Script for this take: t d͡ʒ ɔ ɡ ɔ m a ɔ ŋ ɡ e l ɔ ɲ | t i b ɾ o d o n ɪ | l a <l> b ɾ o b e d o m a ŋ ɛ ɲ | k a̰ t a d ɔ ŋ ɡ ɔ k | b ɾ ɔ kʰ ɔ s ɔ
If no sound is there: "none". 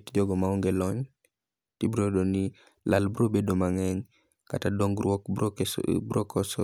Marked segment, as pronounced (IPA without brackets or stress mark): l